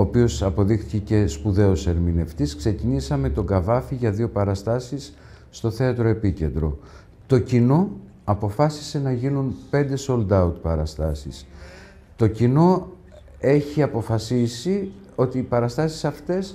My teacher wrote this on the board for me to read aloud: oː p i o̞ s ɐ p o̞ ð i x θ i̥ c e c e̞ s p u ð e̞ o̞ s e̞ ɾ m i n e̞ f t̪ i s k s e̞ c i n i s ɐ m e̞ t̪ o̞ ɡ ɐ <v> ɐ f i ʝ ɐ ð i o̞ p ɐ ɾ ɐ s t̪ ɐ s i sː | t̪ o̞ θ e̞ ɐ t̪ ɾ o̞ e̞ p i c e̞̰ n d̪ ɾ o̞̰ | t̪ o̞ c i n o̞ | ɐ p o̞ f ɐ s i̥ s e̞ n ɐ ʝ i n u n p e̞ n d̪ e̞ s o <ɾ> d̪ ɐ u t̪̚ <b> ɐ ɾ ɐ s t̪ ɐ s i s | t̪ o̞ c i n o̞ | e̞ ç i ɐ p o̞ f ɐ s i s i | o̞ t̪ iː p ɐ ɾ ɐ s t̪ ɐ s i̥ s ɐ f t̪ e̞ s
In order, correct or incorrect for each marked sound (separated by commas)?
correct, incorrect, incorrect